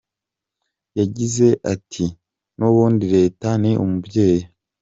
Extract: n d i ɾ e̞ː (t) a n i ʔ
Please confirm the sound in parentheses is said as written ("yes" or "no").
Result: yes